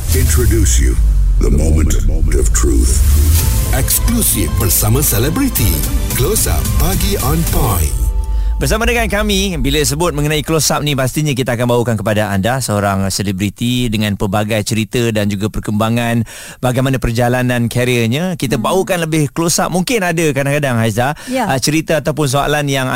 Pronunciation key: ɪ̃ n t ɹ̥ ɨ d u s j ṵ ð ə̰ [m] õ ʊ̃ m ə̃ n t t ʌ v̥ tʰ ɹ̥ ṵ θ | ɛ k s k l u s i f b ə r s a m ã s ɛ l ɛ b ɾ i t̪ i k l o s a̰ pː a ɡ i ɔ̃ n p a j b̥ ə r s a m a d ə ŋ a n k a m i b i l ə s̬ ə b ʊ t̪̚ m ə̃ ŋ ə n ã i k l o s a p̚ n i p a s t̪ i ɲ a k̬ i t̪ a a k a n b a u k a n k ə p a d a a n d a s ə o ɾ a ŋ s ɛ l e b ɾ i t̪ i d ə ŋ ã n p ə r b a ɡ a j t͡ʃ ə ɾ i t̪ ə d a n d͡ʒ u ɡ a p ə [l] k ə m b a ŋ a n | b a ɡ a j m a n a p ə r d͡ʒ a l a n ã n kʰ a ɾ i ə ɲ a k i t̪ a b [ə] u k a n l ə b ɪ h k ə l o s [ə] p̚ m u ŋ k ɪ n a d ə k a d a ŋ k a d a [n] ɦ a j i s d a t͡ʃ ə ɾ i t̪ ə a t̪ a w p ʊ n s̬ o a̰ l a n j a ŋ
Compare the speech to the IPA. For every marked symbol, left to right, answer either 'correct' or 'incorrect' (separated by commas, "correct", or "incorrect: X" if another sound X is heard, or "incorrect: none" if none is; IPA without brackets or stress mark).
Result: correct, incorrect: r, incorrect: a, incorrect: a, incorrect: ŋ